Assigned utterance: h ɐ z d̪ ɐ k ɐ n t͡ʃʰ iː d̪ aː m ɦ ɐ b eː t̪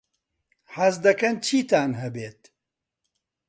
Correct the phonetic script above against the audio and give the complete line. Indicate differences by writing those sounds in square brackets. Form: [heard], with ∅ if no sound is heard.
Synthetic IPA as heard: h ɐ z d̪ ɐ k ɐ n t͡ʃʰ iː [t̪] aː [n] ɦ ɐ b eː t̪